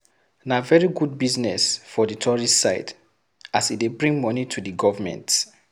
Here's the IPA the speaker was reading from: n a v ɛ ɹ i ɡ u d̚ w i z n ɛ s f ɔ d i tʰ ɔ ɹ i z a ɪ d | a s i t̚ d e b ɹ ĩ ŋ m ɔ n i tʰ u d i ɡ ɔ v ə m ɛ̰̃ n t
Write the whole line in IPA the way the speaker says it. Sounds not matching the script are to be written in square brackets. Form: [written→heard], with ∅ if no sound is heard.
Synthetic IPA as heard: n a v ɛ ɹ i ɡ u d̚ [w→b] i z n ɛ s f ɔ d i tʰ ɔ ɹ i [z→s] a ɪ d | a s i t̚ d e b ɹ ĩ ŋ m ɔ n i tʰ u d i ɡ ɔ v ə m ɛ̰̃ n t